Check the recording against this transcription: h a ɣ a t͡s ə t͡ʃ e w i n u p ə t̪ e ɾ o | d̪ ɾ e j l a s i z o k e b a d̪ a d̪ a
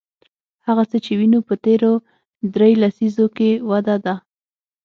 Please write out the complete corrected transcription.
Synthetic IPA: h a ɣ a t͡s ə t͡ʃ e w i n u p ə t̪ e ɾ o | d̪ ɾ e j l a s i z o k e w a d̪ a d̪ a